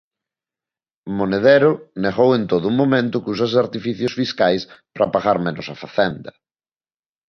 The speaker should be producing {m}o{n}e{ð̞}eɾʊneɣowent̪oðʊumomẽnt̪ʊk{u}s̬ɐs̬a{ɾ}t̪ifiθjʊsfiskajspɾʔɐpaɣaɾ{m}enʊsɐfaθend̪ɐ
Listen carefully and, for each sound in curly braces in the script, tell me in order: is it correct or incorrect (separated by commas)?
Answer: correct, correct, correct, correct, correct, correct